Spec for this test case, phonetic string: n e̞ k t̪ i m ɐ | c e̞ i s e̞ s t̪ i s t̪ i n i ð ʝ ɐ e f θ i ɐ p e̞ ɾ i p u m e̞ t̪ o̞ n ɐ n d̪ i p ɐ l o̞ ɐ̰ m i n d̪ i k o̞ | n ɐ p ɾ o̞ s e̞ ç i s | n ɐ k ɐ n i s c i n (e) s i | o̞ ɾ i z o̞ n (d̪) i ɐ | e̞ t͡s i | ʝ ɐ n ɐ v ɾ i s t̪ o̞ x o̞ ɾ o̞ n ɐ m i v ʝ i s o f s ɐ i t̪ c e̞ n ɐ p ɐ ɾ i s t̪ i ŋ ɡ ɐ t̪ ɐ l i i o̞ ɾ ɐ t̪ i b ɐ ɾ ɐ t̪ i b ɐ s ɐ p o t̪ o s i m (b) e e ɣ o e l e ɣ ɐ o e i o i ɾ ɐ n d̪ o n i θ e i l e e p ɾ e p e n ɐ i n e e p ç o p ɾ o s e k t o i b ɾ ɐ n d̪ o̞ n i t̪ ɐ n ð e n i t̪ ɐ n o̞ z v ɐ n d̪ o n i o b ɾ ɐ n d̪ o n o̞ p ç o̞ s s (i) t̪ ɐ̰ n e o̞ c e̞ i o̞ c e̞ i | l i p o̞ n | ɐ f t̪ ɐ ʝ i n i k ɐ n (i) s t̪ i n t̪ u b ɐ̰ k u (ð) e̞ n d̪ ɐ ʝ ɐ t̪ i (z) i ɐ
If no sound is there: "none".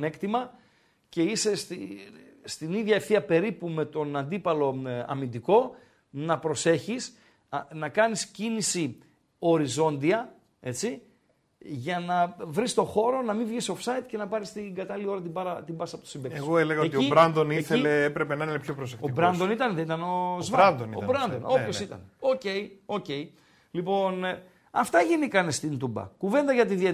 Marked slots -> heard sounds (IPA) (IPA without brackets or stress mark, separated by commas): i, d̪, b, i, e, v, ð